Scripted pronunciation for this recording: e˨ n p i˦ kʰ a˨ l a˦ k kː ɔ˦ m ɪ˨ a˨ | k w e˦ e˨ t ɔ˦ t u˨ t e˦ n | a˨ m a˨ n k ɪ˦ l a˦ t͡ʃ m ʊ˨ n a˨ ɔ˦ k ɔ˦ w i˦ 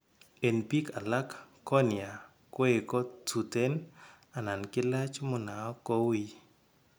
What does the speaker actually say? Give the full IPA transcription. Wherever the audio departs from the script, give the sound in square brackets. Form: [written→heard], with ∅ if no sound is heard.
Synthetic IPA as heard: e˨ n p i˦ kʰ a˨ l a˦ k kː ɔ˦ [m→n] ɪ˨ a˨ | k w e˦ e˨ [t→k] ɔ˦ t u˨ t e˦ n | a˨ [m→n] a˨ n k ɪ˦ l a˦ t͡ʃ m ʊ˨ n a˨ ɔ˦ k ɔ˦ w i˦